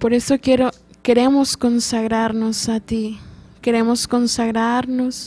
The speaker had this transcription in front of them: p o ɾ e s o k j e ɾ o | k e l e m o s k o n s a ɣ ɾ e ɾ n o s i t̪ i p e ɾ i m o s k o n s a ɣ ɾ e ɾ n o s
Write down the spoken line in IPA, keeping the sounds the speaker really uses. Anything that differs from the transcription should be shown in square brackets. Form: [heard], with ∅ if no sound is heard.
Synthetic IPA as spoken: p o ɾ e s o k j e ɾ o | k e [ɾ] e m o s k o n s a ɣ ɾ [a] ɾ n o s [a] t̪ i [k] e ɾ [e] m o s k o n s a ɣ ɾ [a] ɾ n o s